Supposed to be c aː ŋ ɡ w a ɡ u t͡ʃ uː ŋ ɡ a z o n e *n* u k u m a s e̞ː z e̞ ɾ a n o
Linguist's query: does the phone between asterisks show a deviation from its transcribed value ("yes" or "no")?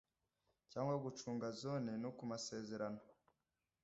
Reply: no